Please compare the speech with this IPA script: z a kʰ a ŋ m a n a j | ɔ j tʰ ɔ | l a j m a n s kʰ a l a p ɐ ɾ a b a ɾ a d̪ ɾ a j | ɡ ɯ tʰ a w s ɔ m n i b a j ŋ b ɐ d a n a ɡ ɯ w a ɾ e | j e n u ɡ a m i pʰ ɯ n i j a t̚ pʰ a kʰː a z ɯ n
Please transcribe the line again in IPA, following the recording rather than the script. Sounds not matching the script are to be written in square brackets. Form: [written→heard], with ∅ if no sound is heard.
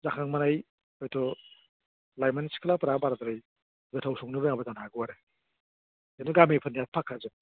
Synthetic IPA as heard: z a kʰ a ŋ m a n a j | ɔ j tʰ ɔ | l a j m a n s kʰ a l a p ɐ ɾ a b a ɾ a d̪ ɾ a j | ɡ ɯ tʰ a w s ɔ [m→ŋ] n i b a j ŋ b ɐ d a n a ɡ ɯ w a ɾ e | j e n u ɡ a m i pʰ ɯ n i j a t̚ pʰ a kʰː a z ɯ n